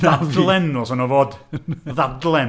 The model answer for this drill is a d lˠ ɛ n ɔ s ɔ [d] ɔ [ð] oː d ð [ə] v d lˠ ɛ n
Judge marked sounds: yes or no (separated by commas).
no, no, no